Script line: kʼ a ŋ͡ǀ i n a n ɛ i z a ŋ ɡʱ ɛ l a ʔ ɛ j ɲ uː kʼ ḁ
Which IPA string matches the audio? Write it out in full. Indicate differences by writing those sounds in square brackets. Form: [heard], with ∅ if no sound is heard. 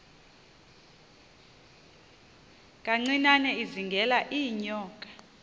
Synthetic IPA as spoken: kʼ a ŋ͡ǀ i n a n ɛ i z [i] ŋ ɡʱ ɛ l a ʔ [i] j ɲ [ɔː] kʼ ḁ